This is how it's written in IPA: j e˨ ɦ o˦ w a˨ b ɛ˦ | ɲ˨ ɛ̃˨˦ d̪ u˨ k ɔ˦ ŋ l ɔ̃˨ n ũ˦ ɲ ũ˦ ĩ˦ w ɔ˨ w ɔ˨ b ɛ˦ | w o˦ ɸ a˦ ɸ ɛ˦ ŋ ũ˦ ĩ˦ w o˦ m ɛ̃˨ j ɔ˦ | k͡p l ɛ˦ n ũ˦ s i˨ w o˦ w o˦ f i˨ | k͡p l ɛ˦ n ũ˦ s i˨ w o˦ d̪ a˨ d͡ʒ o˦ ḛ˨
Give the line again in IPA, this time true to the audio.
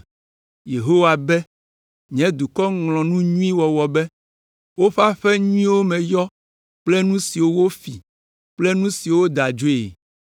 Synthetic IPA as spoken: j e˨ ɦ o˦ w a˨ b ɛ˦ | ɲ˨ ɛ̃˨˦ d̪ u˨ k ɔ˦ ŋ l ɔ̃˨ n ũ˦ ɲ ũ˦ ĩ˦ w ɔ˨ w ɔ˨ b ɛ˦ | w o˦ ɸ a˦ ɸ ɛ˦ ɲ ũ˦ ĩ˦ w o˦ m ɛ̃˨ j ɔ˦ | k͡p l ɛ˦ n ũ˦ s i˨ w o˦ w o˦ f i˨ | k͡p l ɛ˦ n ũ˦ s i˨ w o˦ d̪ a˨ d͡ʒ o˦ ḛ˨

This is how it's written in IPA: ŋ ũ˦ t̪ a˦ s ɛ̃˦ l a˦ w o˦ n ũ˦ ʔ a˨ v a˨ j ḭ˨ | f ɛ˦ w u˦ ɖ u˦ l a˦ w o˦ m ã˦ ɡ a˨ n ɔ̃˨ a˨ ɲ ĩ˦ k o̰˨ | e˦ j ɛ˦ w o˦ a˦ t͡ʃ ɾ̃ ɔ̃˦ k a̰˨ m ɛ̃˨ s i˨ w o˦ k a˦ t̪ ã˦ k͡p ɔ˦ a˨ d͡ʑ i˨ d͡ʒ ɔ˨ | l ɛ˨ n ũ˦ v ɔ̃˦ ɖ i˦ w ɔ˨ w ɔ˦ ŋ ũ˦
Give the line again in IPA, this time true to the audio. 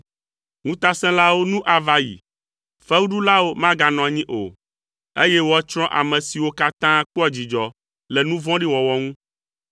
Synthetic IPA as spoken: ŋ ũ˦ t̪ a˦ s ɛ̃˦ l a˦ w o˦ n ũ˦ ʔ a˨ v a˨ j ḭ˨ | f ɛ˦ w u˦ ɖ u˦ l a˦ w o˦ m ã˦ ɡ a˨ n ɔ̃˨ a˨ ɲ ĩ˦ ʔ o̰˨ | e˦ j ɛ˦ w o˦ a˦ t͡ʃ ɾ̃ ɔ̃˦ ʔ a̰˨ m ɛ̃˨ s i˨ w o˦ k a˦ t̪ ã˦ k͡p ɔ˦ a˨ d͡ʑ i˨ d͡ʒ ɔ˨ | l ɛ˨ n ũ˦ v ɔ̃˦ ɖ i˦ w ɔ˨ w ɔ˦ ŋ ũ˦

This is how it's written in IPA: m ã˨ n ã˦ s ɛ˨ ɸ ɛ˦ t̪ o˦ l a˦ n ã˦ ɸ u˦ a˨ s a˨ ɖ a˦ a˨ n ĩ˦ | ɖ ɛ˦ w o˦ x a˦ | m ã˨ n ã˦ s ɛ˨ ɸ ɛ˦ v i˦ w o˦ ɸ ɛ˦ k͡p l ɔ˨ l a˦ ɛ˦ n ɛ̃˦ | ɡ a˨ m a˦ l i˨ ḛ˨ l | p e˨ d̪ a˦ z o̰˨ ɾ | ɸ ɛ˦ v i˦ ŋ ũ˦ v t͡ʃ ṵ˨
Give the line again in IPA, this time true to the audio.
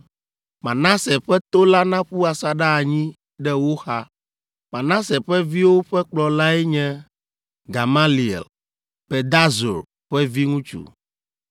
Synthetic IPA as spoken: m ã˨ n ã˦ s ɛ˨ ɸ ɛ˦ t̪ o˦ l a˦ n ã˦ ɸ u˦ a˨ s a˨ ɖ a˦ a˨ ɲ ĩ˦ | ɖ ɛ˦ w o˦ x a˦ | m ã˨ n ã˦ s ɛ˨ ɸ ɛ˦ v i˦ w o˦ ɸ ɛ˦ k͡p l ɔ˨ l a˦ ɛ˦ ɲ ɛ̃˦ | ɡ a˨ m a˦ l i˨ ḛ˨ l | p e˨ d̪ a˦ z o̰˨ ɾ | ɸ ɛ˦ v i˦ ŋ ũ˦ t͡ʃ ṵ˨

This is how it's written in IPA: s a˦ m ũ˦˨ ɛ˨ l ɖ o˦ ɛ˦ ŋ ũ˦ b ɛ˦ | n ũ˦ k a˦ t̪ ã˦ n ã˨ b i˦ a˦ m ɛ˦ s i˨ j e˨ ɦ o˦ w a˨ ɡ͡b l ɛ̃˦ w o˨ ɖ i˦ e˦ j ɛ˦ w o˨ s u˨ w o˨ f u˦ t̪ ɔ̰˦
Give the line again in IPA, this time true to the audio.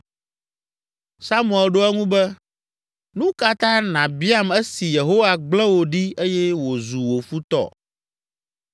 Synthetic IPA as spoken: s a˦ m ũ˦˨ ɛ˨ l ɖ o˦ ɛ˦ ŋ ũ˦ b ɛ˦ | n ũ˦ k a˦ t̪ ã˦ n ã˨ b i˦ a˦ m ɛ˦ s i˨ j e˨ ɦ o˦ w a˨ ɡ͡b l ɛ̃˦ w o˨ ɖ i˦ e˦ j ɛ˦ w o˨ z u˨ w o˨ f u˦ t̪ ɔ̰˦

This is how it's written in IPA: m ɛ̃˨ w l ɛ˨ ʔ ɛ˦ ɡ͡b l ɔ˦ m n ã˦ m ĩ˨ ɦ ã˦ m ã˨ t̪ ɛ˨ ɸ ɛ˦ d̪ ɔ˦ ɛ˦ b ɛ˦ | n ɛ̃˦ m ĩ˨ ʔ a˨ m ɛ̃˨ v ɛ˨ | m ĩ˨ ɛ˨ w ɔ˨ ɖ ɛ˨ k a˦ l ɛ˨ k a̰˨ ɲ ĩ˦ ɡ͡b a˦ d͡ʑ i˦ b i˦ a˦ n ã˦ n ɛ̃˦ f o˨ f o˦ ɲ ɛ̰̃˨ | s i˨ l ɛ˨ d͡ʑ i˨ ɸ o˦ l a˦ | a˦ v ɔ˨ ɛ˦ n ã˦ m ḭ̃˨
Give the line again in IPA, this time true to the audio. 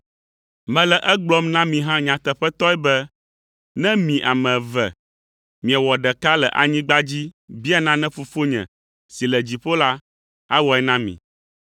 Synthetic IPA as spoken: m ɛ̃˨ l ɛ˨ ʔ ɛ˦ ɡ͡b l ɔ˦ m n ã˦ m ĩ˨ ɦ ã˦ ɲ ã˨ t̪ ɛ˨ ɸ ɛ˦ t̪ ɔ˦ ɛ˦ b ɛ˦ | n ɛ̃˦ m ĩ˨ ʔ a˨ m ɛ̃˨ v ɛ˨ | m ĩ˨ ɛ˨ w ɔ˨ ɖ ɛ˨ k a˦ l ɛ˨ ʔ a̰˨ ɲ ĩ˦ ɡ͡b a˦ d͡ʑ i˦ b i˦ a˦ n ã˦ n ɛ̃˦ f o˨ f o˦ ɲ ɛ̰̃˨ | s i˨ l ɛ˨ d͡ʑ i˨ ɸ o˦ l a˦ | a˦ w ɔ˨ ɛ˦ n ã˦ m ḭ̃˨

